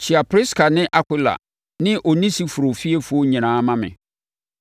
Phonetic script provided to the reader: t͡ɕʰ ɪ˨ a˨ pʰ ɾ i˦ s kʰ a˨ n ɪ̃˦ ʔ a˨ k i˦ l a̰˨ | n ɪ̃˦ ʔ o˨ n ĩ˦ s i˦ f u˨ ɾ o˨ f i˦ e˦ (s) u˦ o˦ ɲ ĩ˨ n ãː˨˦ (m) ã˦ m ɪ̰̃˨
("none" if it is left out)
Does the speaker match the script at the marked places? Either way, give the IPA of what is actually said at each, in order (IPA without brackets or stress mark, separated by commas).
f, m